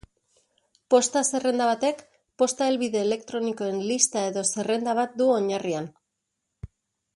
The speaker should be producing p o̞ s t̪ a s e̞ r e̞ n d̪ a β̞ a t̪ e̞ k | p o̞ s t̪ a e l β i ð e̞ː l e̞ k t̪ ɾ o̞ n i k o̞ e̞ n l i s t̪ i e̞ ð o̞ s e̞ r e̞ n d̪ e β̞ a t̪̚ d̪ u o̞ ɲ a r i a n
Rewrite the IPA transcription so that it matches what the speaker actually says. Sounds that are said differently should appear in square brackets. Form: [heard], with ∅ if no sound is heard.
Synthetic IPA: p o̞ s t̪ a s e̞ r e̞ n d̪ a β̞ a t̪ e̞ k | p o̞ s t̪ a e l β i ð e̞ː l e̞ k t̪ ɾ o̞ n i k o̞ e̞ n l i s t̪ [a] e̞ ð o̞ s e̞ r e̞ n d̪ [a] β̞ a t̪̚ d̪ u o̞ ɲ a r i a n